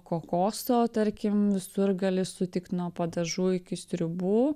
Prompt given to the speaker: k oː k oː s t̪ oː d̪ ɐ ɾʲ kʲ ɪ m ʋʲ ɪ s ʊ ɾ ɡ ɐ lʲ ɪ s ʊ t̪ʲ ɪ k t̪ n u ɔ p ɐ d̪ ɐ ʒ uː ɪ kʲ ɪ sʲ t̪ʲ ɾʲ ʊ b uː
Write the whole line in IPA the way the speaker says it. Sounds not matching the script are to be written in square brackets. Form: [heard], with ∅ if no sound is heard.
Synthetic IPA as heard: k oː k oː s t̪ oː [t̪] ɐ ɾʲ kʲ ɪ m ʋʲ ɪ s ʊ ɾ ɡ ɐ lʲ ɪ s ʊ t̪ʲ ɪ k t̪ n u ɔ p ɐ d̪ ɐ ʒ uː ɪ kʲ ɪ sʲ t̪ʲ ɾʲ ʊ b uː